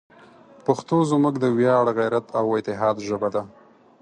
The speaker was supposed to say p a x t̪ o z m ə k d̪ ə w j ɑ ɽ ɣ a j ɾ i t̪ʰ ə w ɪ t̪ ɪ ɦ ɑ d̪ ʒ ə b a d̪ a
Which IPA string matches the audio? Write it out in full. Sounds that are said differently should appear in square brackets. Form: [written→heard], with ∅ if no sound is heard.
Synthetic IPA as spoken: p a x t̪ o z m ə k d̪ ə w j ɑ ɽ ɣ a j ɾ [i→a] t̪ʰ [ə→a] w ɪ t̪ ɪ ɦ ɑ d̪ ʒ ə b a d̪ a